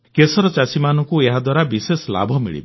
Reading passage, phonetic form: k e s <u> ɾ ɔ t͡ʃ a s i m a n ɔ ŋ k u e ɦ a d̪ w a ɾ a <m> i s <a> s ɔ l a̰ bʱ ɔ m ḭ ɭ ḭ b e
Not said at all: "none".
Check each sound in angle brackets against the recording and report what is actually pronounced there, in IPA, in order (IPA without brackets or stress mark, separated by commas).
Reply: ɔ, b, e